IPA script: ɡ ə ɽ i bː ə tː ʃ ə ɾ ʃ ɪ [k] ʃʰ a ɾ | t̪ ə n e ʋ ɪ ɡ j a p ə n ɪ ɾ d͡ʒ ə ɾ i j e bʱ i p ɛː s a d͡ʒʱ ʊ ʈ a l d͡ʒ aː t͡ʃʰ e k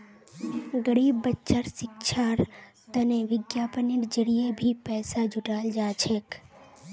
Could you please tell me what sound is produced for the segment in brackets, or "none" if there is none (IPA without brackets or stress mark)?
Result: k